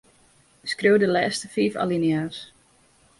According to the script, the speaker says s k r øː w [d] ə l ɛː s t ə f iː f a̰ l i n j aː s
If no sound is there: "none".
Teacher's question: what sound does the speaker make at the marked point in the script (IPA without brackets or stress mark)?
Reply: d